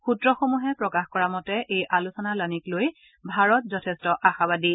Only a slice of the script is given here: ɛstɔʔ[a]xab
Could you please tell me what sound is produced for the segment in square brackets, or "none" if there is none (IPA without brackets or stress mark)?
a